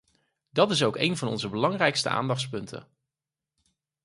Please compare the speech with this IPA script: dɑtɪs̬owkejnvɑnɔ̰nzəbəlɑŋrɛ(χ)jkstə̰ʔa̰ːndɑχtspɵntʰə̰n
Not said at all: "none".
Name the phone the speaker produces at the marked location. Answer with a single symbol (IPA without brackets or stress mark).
none